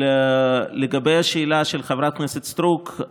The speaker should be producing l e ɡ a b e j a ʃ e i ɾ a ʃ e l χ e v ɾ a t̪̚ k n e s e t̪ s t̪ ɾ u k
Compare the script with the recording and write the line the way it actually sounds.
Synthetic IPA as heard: l e ɡ a b e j a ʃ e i l a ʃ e l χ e v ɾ a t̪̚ k n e s e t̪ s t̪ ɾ u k